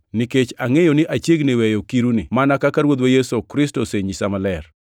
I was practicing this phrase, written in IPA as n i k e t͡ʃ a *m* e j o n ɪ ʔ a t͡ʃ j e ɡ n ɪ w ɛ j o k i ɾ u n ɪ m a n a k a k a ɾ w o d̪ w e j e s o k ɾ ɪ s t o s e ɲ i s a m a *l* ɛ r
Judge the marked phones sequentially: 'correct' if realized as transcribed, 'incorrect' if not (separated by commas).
incorrect, correct